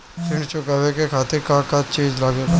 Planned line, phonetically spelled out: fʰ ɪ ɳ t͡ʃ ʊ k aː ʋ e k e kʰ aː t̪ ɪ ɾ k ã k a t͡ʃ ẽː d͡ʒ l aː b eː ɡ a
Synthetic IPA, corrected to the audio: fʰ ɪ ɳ t͡ʃ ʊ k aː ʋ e k e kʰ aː t̪ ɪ ɾ k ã k a t͡ʃ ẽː d͡ʒ l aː ɡ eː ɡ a